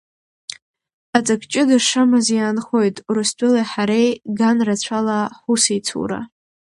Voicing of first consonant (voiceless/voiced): voiceless